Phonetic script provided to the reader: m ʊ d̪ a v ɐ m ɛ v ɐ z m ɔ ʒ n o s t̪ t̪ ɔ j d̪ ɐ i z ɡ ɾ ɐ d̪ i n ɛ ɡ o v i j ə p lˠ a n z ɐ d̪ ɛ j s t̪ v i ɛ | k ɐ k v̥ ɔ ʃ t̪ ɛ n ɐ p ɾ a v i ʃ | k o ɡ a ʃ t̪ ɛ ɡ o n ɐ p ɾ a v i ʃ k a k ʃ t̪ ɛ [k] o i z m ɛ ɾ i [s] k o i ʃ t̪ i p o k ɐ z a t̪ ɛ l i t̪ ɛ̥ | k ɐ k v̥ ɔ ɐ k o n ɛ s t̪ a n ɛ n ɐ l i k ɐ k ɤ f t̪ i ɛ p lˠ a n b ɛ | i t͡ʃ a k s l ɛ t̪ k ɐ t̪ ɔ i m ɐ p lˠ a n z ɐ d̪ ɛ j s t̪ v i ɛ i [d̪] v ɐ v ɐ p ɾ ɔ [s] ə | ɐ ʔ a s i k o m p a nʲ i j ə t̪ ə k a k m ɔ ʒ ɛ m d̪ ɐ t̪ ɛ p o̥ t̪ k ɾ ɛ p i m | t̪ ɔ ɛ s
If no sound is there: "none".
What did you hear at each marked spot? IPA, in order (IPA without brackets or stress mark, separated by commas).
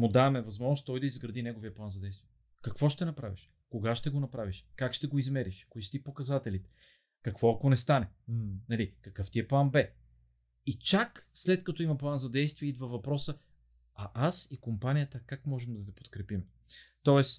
ɡ, ʃ, d̪, s